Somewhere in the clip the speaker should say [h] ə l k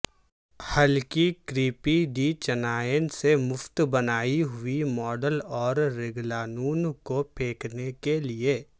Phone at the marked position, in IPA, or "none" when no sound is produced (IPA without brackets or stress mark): h